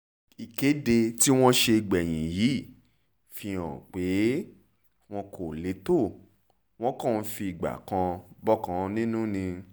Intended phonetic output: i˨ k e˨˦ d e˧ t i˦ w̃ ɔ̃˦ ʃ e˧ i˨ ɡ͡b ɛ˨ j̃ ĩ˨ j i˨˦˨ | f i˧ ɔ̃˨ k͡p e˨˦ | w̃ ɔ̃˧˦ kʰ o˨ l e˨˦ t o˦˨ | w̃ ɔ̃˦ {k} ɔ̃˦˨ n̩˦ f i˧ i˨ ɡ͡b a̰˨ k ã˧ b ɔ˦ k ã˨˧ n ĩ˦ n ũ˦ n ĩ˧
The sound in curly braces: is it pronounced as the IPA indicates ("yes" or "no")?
yes